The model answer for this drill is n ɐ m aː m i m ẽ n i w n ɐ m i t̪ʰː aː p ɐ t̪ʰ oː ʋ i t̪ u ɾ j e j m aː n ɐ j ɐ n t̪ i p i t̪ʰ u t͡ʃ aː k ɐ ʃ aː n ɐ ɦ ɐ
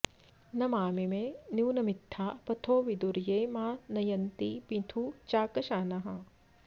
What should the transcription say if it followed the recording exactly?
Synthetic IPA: n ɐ m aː m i m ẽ n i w n ɐ m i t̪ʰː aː p ɐ t̪ʰ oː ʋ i d̪ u ɾ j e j m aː n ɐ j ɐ n t̪ i p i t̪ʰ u t͡ʃ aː k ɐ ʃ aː n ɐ ɦ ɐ